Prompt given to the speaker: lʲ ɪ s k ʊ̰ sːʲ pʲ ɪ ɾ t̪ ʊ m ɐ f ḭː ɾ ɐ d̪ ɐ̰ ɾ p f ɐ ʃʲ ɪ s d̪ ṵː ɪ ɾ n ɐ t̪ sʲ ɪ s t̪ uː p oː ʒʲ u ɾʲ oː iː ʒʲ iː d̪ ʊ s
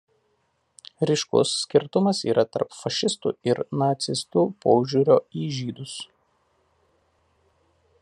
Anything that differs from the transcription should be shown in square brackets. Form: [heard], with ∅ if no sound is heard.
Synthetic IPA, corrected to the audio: [ɾʲ] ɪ [ʃ] k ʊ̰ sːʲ [kʲ] ɪ ɾ t̪ ʊ m ɐ [s] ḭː ɾ ɐ [t̪] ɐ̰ ɾ p f ɐ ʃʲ ɪ s [t̪] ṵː ɪ ɾ n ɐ t̪ sʲ ɪ s t̪ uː p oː ʒʲ u ɾʲ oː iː ʒʲ iː d̪ ʊ s